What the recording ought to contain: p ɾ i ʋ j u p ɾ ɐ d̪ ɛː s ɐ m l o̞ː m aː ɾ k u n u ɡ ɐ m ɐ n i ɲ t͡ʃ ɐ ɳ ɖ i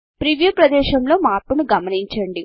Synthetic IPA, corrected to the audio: p ɾ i ʋ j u p ɾ ɐ d̪ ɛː ʃ ɐ m l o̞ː m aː ɾ p u n u ɡ ɐ m ɐ n i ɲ t͡ʃ ɐ ɳ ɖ i